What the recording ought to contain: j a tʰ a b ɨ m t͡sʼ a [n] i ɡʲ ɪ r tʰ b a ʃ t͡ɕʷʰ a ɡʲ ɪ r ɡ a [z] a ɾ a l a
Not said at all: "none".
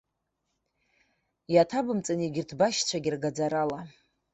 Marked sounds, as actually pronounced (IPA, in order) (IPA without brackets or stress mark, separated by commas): n, d͡z